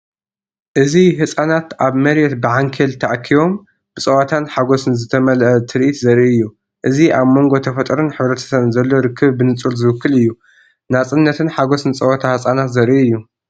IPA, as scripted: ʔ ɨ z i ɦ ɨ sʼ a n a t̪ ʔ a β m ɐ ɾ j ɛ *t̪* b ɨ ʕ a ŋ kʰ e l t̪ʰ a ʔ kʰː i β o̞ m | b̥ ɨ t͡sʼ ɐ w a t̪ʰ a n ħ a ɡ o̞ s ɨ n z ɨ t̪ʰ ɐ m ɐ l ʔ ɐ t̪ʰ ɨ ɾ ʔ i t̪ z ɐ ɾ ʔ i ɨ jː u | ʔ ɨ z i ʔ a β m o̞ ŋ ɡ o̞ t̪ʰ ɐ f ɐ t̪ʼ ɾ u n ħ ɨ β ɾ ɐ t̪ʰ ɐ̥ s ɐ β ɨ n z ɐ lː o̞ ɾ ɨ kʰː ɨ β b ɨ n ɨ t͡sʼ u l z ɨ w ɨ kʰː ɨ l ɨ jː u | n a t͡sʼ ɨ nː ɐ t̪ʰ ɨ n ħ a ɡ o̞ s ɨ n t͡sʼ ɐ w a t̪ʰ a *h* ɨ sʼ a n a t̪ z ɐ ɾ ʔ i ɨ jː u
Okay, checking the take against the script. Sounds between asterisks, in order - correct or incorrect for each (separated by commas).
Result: correct, correct